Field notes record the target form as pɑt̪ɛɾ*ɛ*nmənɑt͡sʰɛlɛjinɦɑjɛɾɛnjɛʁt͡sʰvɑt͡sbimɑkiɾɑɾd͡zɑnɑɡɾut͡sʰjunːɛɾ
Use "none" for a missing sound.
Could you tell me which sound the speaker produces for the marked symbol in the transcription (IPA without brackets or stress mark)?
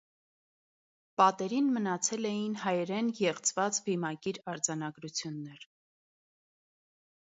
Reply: i